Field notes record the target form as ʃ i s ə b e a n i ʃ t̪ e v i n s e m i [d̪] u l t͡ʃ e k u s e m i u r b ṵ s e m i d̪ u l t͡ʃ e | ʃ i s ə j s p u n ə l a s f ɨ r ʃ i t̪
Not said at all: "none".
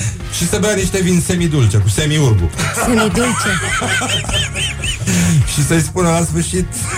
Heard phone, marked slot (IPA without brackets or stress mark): d̪